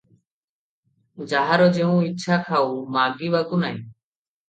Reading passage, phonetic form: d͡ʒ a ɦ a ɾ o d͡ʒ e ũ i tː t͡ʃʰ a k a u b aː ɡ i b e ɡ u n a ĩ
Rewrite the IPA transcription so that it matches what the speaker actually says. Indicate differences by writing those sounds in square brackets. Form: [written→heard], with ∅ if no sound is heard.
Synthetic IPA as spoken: d͡ʒ a ɦ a ɾ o d͡ʒ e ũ i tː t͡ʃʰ a [k→kʰ] a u [b→m] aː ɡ i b [e→a] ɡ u n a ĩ